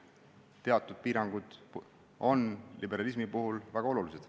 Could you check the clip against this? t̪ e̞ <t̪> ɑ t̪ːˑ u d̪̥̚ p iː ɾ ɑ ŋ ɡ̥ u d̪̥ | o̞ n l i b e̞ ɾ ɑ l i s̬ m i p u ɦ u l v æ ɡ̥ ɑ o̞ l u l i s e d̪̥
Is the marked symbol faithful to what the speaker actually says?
no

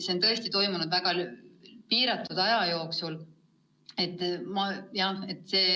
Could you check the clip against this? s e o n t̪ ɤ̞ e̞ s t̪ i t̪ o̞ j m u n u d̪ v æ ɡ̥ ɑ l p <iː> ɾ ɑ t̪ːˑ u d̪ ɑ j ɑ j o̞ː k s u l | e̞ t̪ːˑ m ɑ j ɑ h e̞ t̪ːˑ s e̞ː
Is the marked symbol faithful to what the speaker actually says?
yes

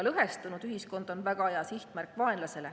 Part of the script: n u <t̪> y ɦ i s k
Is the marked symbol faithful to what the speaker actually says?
no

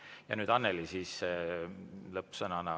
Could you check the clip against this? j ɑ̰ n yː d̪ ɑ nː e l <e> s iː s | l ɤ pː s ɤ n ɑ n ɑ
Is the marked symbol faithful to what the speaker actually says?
no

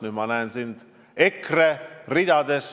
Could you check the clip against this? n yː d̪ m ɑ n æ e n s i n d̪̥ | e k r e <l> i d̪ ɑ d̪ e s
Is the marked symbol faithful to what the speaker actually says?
no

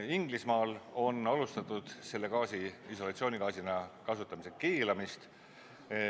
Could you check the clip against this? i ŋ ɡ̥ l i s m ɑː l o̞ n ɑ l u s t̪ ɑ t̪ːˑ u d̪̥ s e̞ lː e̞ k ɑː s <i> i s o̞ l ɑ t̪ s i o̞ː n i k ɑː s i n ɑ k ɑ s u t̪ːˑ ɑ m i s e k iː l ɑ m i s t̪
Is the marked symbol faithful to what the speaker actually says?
yes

